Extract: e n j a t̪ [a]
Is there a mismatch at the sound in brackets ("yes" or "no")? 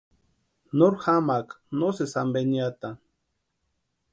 no